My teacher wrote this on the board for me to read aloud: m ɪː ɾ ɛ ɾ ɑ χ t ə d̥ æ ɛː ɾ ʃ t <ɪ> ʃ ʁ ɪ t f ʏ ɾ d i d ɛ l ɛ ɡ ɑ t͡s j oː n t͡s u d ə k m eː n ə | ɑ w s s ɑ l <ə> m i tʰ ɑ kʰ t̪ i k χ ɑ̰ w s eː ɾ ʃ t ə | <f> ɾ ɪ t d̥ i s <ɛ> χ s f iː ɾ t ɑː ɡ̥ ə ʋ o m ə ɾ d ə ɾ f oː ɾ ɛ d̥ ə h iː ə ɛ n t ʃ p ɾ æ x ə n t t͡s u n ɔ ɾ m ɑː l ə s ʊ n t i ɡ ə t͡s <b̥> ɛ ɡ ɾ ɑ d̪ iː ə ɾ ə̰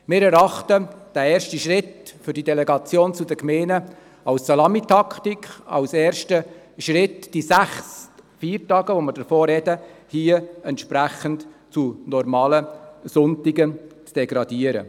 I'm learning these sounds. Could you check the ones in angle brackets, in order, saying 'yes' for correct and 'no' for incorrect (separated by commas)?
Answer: no, no, no, no, no